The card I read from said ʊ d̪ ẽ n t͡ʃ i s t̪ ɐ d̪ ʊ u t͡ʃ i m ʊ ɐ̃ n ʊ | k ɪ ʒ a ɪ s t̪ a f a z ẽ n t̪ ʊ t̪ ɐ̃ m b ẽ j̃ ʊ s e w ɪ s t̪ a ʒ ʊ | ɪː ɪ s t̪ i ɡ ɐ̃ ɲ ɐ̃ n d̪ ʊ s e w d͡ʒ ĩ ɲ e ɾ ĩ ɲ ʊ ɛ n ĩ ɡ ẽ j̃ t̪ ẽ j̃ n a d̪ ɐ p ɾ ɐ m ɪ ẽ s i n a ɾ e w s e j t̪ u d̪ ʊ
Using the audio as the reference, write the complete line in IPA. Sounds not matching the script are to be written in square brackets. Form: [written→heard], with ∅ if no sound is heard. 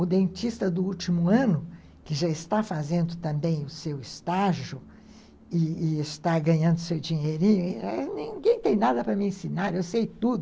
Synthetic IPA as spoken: ʊ d̪ ẽ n t͡ʃ i s t̪ ɐ d̪ ʊ u t͡ʃ i m ʊ ɐ̃ n ʊ | k ɪ ʒ a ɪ s t̪ a f a z ẽ n [t̪→d̪] ʊ t̪ ɐ̃ m b ẽ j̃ ʊ s e w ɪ s t̪ a ʒ ʊ | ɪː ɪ s t̪ [i→a] ɡ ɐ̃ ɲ ɐ̃ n d̪ ʊ s e w d͡ʒ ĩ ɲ e ɾ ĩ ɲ ʊ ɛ n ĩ ɡ ẽ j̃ t̪ ẽ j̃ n a d̪ ɐ p ɾ ɐ m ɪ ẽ s i n a ɾ e w s e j t̪ u d̪ ʊ